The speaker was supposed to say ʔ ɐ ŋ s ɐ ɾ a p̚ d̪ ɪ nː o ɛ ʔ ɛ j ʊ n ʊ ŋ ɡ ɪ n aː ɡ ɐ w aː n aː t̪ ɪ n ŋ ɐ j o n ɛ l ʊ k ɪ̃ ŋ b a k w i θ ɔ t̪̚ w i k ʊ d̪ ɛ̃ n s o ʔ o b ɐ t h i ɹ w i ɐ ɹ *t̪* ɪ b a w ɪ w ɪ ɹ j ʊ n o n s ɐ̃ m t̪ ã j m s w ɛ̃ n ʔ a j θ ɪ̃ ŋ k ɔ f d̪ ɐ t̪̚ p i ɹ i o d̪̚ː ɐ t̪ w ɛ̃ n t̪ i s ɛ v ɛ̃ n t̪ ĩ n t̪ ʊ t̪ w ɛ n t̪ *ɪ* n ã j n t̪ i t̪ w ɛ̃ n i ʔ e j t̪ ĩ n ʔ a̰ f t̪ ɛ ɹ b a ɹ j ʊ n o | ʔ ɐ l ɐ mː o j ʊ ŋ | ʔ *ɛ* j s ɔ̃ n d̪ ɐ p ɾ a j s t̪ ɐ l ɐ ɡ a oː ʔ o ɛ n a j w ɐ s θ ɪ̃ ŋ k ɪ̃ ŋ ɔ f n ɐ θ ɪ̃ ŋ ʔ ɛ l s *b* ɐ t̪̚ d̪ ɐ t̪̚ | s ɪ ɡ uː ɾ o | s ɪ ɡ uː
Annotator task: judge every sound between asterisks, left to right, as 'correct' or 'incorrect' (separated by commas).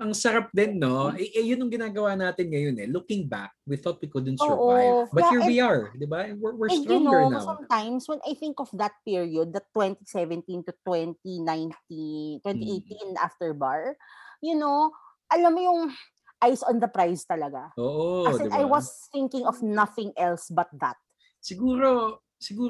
incorrect, incorrect, incorrect, correct